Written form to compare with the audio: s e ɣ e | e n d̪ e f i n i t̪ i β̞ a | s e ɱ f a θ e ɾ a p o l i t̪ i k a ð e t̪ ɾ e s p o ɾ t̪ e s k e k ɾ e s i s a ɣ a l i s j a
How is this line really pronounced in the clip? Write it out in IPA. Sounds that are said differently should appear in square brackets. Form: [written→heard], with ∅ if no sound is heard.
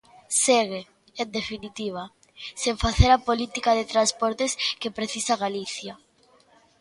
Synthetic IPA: s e ɣ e | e n d̪ e f i n i t̪ i β̞ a | s e ɱ f a θ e ɾ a p o l i t̪ i k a ð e t̪ ɾ [e→a] s p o ɾ t̪ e s k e [k→p] ɾ e [s→θ] i s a ɣ a l i [s→θ] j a